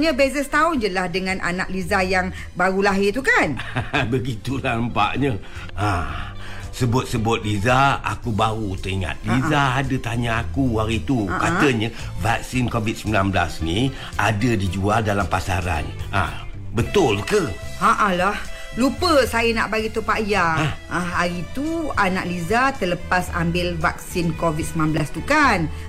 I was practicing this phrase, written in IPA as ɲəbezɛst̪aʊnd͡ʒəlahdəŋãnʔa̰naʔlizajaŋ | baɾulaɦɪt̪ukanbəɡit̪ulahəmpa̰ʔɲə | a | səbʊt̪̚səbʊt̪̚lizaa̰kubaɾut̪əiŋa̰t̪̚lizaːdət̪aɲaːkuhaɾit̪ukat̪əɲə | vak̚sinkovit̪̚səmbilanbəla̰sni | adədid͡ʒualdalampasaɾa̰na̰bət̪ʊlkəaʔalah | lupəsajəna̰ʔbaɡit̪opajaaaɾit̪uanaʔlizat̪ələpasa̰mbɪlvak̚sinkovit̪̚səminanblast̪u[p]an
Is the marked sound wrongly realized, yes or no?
yes